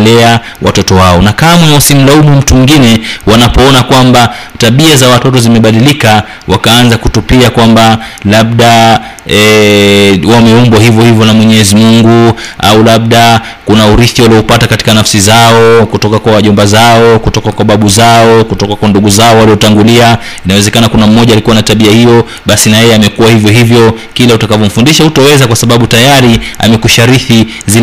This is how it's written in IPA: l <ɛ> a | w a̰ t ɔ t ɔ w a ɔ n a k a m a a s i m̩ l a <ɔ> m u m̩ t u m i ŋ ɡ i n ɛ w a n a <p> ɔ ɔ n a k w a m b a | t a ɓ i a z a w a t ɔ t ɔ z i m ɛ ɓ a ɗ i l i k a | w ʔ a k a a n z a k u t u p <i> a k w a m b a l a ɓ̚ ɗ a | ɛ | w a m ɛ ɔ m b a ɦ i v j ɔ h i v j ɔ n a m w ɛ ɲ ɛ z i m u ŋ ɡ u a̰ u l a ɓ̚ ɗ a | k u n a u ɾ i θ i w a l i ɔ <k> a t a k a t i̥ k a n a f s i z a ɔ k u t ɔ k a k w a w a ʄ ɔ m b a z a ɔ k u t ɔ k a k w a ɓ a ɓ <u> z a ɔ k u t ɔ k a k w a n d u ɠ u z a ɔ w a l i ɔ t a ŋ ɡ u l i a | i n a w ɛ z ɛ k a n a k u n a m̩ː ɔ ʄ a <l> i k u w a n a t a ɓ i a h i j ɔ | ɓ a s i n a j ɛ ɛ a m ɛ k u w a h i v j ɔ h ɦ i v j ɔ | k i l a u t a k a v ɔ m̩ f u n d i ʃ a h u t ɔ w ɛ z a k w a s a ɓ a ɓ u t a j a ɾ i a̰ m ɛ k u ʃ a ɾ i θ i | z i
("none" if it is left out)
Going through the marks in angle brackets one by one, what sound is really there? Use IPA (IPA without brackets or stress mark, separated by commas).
ɛ, u, p, i, p, u, l